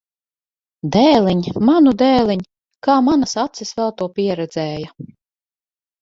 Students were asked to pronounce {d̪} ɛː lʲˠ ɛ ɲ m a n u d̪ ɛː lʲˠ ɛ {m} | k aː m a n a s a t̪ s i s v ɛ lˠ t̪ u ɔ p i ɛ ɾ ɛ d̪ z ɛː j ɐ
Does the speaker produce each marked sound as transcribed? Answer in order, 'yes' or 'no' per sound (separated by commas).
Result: yes, no